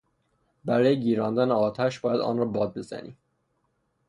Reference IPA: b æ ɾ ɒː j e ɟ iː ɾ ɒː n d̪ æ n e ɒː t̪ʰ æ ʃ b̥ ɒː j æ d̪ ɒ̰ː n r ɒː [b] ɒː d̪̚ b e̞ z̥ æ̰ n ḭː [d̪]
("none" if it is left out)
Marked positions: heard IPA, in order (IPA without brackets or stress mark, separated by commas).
b, none